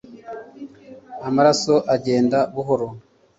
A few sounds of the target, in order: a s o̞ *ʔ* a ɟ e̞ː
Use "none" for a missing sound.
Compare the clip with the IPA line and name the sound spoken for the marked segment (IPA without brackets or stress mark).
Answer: ʔ